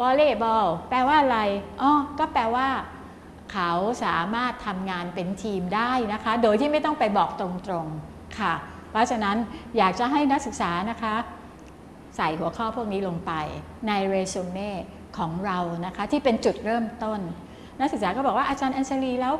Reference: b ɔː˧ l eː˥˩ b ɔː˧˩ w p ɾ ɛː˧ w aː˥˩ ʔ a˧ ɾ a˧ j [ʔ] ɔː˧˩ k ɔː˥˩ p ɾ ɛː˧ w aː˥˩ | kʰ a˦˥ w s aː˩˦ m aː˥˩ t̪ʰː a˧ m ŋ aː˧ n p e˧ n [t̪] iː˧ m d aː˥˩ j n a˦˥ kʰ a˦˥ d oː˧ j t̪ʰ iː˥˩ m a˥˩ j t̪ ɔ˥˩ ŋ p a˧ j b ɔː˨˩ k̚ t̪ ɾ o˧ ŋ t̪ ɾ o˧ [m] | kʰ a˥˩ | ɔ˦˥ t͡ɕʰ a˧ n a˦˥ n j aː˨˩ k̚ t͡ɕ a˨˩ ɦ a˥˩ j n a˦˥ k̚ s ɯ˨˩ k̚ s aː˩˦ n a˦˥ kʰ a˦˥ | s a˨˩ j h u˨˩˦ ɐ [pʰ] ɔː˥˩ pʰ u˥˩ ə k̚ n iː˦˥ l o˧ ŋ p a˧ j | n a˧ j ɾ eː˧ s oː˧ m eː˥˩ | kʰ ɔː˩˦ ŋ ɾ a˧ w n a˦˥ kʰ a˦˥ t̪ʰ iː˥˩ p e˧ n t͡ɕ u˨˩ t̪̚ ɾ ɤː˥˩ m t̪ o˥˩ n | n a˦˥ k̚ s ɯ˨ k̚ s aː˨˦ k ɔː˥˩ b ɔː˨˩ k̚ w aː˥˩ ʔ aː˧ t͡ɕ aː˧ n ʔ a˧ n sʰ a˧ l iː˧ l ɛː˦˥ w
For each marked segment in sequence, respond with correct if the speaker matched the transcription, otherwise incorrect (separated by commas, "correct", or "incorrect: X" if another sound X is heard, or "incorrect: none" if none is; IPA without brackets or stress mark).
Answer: correct, incorrect: t̪ʰ, incorrect: ŋ, incorrect: kʰ